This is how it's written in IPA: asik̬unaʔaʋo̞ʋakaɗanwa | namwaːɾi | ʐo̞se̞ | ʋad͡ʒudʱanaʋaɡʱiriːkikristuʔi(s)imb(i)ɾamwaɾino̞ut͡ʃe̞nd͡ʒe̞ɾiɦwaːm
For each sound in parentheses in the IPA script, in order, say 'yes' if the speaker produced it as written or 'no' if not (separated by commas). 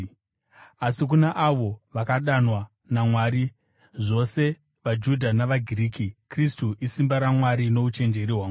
yes, no